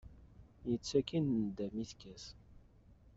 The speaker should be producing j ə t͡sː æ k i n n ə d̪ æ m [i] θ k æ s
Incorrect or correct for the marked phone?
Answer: correct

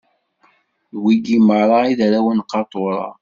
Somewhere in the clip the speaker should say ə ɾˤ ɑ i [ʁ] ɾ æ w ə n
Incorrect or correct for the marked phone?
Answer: incorrect: ð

